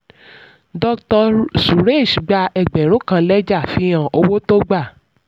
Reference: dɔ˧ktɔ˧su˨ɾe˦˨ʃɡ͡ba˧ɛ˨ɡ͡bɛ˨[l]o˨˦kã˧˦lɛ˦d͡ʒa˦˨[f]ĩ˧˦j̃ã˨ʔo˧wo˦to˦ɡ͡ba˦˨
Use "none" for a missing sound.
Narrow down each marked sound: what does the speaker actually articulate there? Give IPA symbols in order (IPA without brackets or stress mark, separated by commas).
ɾ, f